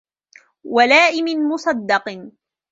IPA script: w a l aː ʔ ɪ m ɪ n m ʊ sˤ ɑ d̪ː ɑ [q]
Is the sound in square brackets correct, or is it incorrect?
correct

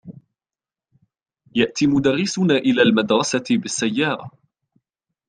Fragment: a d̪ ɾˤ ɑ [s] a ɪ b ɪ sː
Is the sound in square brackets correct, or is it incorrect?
correct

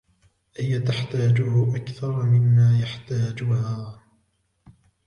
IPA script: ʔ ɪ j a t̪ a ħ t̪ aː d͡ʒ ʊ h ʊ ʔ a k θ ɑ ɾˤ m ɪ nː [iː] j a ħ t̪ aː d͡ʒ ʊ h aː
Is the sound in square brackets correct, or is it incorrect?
incorrect: aː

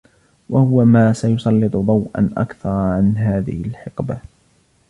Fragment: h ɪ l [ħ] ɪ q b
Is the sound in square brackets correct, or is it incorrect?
correct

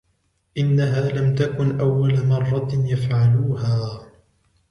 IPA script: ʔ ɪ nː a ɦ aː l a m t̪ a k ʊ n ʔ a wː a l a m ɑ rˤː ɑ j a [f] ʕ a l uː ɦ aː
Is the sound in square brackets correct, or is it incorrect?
correct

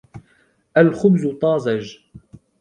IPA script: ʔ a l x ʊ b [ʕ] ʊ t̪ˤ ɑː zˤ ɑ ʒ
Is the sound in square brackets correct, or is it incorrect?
incorrect: z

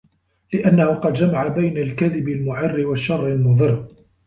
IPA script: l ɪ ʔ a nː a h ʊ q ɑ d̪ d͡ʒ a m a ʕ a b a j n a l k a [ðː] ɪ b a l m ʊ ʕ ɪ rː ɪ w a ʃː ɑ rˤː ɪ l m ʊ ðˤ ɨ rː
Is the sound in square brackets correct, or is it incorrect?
incorrect: ð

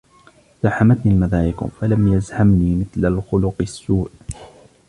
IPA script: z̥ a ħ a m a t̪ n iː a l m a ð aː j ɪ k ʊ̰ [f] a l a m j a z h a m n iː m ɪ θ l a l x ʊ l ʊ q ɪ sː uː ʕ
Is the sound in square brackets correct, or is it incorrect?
correct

